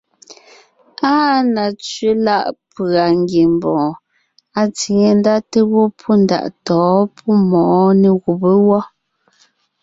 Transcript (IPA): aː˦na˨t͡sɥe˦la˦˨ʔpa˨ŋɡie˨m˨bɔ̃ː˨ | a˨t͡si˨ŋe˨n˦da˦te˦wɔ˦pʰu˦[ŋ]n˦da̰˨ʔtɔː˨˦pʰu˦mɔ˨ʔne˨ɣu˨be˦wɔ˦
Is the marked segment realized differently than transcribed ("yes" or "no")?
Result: yes